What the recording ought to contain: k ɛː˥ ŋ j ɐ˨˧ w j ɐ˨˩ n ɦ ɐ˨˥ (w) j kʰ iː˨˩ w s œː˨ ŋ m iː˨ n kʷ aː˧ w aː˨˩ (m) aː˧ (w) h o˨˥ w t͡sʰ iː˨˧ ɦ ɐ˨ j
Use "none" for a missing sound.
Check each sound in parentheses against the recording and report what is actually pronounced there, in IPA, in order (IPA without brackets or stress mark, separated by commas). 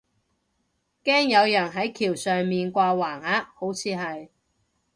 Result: none, ŋ, none